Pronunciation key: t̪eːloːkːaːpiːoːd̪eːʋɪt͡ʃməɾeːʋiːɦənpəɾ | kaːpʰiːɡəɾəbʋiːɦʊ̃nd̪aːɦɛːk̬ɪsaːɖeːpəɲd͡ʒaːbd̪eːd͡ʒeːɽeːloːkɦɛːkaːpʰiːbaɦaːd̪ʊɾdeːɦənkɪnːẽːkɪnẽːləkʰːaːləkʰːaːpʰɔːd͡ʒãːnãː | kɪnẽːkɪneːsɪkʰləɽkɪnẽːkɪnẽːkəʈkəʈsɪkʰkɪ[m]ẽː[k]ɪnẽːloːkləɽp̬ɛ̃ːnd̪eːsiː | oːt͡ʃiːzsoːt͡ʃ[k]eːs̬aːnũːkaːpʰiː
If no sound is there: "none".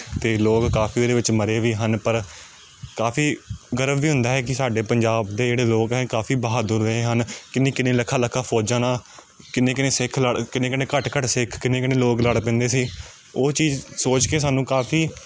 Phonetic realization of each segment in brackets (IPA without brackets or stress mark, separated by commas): n, k, k